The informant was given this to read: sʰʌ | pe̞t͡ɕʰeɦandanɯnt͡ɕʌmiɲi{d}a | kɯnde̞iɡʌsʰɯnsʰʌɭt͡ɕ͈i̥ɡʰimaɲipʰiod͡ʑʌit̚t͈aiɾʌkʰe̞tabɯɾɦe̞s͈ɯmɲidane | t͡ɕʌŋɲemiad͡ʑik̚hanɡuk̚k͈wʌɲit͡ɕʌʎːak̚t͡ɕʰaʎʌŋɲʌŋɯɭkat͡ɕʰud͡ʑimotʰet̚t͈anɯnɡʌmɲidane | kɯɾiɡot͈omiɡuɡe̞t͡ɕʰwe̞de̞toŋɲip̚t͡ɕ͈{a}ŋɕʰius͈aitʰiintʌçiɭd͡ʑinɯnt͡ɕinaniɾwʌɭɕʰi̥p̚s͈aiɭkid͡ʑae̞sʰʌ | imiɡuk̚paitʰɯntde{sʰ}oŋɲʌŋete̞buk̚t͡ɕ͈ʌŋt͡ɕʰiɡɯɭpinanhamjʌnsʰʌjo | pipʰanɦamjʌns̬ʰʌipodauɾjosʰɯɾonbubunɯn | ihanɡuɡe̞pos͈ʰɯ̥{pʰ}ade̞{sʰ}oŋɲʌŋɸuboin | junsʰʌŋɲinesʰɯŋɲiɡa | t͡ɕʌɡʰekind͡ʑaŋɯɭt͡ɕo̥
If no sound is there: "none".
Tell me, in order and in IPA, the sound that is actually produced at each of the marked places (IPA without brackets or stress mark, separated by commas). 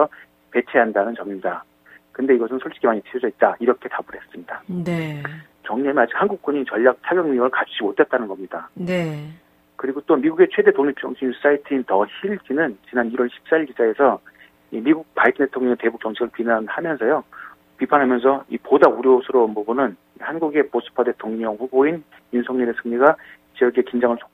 d, ʌ, tʰ, pʰ, tʰ